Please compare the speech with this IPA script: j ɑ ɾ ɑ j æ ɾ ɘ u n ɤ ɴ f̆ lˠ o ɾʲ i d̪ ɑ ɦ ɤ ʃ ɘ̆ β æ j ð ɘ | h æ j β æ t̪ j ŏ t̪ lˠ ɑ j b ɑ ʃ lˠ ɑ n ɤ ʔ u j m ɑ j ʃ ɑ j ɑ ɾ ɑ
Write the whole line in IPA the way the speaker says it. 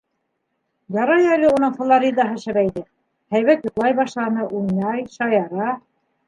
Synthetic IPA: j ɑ ɾ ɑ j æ l ɘ u n ɤ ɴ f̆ lˠ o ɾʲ i d̪ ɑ ɦ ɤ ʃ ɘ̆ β æ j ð ɘ | h æ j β æ t̪ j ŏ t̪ lˠ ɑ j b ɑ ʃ lˠ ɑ n ɤ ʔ u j n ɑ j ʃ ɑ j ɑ ɾ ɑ

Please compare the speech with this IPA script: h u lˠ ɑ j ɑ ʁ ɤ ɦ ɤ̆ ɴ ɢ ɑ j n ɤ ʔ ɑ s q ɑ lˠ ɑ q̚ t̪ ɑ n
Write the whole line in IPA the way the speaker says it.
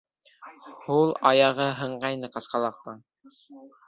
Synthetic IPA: h u lˠ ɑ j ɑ ʁ ɤ ɦ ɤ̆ ɴ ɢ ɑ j n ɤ q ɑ s q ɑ lˠ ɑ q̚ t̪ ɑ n

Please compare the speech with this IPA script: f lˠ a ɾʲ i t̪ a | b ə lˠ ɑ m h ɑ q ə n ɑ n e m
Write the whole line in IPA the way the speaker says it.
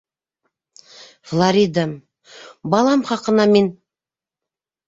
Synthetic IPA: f lˠ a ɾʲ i d̪ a | b ɑ lˠ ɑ m χ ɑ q ə n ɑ m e n

